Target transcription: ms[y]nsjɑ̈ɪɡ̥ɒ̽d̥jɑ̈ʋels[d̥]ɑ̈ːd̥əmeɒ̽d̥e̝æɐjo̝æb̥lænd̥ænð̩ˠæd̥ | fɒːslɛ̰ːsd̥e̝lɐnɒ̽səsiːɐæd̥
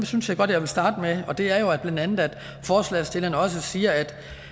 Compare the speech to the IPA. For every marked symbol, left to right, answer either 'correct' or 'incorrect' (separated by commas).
correct, correct